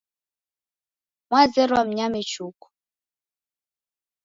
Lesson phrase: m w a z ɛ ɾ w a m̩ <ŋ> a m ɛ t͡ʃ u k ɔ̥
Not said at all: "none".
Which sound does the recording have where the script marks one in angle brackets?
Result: ɲ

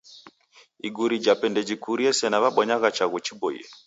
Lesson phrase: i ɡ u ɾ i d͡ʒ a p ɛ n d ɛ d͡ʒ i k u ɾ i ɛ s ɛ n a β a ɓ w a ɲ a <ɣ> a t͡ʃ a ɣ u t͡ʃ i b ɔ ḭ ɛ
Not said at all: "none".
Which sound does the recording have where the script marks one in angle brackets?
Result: ɣ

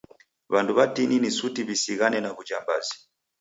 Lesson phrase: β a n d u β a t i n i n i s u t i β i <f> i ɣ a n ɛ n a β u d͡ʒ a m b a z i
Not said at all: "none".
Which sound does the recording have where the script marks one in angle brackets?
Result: s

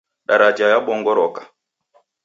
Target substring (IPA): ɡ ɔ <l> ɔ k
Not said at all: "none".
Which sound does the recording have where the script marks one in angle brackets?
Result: ɾ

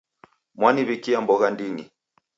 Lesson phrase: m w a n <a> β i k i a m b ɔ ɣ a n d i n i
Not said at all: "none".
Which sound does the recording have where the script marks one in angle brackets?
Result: i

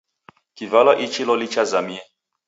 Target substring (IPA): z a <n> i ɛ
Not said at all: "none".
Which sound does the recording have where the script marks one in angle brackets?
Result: m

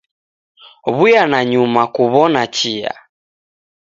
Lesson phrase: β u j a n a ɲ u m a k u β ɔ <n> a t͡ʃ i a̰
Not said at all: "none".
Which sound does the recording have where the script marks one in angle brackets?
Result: n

